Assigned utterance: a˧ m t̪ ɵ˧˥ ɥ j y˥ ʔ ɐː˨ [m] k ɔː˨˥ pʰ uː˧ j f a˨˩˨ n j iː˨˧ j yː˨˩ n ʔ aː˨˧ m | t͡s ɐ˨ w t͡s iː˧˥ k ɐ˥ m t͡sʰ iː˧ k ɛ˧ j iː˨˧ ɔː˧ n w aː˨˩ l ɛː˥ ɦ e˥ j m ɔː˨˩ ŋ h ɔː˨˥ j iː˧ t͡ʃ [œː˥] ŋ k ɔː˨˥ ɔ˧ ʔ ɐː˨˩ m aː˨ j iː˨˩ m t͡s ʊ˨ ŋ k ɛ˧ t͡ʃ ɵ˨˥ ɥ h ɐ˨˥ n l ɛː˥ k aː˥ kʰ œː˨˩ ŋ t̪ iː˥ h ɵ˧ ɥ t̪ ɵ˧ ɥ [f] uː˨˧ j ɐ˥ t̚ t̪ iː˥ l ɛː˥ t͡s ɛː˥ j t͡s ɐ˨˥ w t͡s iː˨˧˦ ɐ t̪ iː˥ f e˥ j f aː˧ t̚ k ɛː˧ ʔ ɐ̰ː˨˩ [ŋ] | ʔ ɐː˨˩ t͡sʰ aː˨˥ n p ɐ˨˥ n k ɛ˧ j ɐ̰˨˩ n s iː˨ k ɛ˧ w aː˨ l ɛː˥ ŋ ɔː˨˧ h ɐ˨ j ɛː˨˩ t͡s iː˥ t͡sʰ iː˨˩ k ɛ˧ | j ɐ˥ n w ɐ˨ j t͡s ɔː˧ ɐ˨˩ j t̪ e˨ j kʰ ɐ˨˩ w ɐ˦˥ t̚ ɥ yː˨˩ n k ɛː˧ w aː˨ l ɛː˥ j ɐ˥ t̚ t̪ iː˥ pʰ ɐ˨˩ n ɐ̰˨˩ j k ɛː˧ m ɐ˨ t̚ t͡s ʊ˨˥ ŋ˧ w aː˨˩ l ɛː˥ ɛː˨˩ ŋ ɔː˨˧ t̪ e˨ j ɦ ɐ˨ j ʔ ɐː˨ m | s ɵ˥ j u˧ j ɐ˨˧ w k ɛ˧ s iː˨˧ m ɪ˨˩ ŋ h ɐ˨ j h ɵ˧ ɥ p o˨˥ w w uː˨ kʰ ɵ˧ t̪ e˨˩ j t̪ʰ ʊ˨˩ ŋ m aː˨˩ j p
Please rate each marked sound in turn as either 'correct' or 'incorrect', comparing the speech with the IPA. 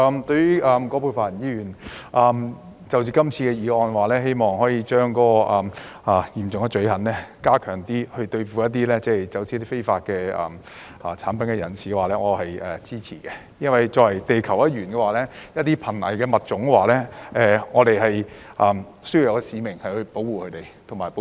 correct, correct, correct, incorrect: m

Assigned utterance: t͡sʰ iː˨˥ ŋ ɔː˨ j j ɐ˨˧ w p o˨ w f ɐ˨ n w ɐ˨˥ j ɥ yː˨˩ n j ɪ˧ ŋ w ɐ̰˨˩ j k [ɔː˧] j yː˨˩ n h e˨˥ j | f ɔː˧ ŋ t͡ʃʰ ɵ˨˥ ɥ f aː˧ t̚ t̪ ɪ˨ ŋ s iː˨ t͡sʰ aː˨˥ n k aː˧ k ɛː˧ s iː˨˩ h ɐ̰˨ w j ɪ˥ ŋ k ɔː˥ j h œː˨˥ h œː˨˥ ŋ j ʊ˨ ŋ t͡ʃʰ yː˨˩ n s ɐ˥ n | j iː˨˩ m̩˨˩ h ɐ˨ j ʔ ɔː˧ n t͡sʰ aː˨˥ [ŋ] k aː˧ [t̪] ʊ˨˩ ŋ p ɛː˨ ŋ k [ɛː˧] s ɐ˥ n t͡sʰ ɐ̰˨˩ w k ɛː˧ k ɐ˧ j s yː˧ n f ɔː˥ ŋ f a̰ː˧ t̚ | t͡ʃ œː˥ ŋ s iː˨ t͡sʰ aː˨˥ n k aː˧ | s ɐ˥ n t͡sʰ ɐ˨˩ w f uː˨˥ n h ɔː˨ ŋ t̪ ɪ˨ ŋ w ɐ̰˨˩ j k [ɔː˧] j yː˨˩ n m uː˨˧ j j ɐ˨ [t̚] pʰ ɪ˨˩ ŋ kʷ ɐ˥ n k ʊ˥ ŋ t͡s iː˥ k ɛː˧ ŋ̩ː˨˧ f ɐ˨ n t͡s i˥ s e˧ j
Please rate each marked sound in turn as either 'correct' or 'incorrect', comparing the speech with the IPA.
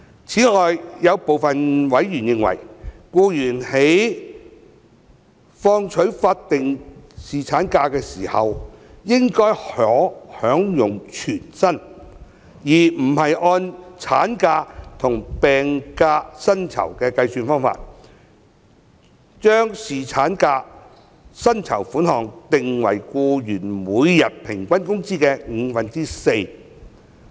incorrect: uː˧, incorrect: n, incorrect: t̪ʰ, incorrect: aː˧, incorrect: uː˧, correct

